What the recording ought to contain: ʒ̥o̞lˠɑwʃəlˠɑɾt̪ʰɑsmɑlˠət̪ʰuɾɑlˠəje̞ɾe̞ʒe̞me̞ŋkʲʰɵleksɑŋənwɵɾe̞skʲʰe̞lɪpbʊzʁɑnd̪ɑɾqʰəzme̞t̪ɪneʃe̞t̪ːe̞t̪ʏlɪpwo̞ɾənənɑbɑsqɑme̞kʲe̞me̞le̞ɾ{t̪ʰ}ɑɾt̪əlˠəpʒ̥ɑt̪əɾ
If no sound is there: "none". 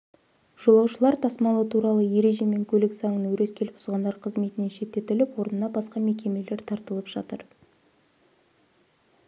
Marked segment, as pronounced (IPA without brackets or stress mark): t̪ʰ